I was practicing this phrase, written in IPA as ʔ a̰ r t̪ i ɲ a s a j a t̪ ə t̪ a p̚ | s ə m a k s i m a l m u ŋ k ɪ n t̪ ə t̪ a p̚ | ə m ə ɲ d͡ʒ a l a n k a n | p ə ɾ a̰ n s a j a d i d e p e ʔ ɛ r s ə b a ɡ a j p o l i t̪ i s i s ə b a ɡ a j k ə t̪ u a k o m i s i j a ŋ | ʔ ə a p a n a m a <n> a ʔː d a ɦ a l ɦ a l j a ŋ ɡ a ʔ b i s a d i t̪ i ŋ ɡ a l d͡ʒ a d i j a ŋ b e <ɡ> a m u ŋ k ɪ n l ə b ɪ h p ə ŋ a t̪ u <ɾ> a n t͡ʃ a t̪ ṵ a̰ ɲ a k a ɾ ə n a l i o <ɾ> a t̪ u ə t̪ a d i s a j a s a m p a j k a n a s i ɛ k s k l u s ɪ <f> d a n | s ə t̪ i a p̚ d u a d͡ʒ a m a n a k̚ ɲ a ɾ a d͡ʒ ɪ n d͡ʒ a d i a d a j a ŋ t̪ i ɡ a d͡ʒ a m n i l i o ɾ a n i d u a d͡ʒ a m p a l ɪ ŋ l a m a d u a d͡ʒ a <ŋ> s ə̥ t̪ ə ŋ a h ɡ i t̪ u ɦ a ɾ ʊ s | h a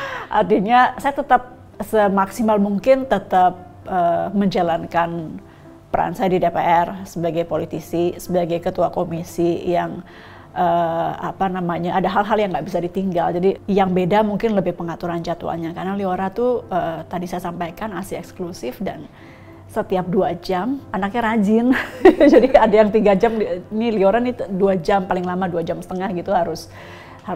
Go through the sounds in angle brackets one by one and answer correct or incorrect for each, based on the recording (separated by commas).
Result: incorrect, incorrect, correct, correct, correct, incorrect